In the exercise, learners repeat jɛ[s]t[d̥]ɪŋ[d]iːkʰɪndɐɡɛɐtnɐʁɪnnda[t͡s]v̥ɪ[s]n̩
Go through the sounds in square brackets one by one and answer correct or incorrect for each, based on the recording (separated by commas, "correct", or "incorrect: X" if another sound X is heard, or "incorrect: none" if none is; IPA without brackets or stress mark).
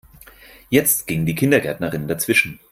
incorrect: t͡s, incorrect: ɡ̥, correct, correct, incorrect: ʃ